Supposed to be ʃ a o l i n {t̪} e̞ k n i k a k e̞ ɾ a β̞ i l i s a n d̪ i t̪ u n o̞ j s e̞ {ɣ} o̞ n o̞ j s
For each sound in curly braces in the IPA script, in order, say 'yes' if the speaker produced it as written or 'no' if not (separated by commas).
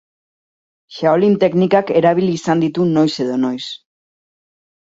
yes, no